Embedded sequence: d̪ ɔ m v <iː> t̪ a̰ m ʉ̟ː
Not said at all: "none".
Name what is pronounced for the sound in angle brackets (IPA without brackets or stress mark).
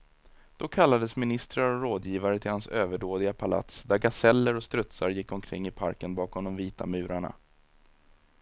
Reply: iː